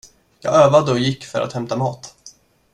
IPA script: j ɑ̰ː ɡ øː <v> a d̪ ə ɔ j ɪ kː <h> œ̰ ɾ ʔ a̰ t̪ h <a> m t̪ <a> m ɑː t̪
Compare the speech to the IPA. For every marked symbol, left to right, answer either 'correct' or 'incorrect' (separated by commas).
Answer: correct, incorrect, incorrect, correct